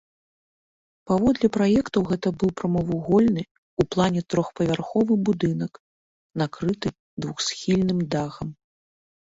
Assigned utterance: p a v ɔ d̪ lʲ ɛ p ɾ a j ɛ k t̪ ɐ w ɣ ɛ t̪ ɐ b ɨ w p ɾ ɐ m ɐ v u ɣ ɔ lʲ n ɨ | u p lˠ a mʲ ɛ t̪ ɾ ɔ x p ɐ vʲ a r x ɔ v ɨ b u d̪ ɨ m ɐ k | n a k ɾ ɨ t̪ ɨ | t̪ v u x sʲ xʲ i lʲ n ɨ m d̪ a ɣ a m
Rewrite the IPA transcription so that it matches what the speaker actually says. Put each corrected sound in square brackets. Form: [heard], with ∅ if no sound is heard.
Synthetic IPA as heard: p a v ɔ d̪ lʲ ɛ p ɾ a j ɛ k t̪ ɐ w ɣ ɛ t̪ ɐ b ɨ w p ɾ ɐ m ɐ v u ɣ ɔ lʲ n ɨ | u p lˠ a [nʲ] ɛ t̪ ɾ ɔ x p ɐ vʲ a r x ɔ v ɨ b u d̪ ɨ [n] ɐ k | n a k ɾ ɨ t̪ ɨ | [d̪] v u x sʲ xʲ i lʲ n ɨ m d̪ a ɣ [ɐ] m